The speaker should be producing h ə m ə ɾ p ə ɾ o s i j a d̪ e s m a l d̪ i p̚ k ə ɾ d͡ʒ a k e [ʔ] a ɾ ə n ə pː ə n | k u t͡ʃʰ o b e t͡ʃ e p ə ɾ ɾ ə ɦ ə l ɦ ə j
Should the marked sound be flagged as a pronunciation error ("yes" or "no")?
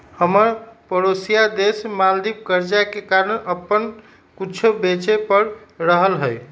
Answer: yes